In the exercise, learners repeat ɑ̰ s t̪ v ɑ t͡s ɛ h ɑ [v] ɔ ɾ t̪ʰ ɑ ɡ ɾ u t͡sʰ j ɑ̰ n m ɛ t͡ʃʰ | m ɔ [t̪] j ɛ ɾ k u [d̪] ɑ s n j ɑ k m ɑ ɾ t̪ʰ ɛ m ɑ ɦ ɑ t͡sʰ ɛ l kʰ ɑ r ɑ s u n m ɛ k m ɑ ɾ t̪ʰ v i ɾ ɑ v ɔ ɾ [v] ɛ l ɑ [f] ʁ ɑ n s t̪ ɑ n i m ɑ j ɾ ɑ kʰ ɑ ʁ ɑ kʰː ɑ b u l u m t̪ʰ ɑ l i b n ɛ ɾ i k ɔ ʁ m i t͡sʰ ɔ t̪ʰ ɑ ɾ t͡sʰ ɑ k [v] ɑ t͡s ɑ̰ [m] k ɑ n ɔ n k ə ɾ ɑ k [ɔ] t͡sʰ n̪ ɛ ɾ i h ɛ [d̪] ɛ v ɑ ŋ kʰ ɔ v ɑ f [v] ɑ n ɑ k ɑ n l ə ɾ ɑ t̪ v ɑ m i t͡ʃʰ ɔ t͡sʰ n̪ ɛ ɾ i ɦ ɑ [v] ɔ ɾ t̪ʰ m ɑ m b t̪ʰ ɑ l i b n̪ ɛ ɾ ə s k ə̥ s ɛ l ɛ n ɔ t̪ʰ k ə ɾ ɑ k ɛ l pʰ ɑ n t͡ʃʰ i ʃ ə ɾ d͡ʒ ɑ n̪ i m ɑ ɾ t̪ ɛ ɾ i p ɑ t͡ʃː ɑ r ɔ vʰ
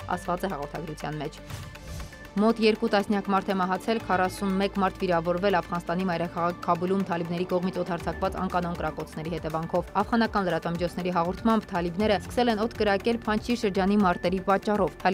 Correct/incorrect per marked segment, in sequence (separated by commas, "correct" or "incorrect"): incorrect, correct, incorrect, correct, correct, correct, incorrect, correct, incorrect, incorrect, incorrect